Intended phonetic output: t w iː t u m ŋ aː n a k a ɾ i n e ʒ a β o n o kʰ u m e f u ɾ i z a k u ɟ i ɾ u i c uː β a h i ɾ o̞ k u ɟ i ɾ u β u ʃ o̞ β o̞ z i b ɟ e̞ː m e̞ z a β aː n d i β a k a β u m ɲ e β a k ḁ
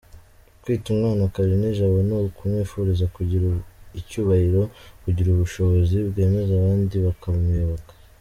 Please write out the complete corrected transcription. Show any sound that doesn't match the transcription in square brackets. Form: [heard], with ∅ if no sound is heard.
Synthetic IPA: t w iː t u m ŋ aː n a k a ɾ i n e ʒ a β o n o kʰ u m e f u ɾ i z a k u ɟ i ɾ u i c uː β a h i ɾ o̞ k u ɟ i ɾ u β u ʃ o̞ β o̞ z i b [ɡ] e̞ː m e̞ z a β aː n d i β a k a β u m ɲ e β a k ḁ